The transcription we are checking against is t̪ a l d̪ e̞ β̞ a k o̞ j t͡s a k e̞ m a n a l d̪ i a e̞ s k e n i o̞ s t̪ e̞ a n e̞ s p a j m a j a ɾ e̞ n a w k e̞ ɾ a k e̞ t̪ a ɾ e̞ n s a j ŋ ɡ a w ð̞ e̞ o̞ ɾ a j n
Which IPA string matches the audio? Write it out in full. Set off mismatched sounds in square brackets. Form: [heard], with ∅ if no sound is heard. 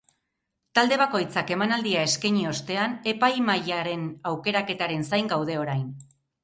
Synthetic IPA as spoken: t̪ a l d̪ e̞ β̞ a k o̞ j t͡s a k e̞ m a n a l d̪ i a e̞ s k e [ɲ] i o̞ s t̪ e̞ a n e̞ [∅] p a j m a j a ɾ e̞ n a w k e̞ ɾ a k e̞ t̪ a ɾ e̞ n s a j ŋ ɡ a w ð̞ e̞ o̞ ɾ a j n